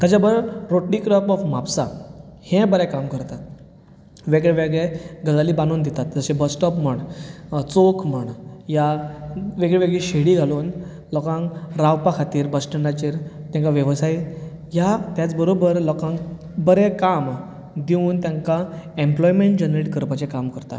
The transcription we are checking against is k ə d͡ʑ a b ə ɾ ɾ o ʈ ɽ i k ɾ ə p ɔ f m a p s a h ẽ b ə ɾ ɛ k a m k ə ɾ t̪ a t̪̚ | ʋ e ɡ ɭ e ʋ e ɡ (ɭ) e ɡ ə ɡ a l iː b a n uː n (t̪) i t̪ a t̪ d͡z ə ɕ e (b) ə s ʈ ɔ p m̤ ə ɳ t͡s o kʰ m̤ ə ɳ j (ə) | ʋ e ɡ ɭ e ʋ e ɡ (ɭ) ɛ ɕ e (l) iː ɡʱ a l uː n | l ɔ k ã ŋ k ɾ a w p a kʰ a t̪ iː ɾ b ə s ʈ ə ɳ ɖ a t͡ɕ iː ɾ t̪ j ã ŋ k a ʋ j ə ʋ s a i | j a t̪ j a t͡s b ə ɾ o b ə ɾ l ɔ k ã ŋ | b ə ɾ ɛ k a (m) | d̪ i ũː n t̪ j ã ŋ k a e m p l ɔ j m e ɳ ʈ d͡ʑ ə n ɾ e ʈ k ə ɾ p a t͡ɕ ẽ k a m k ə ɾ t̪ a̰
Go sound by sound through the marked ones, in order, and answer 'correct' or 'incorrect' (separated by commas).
correct, incorrect, correct, incorrect, correct, incorrect, correct